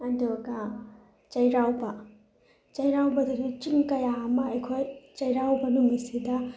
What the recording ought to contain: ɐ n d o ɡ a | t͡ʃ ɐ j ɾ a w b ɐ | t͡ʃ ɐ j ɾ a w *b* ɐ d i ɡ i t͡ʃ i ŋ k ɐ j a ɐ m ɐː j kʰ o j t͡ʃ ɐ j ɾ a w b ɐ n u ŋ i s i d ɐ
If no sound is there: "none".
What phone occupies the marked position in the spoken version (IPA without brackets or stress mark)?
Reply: b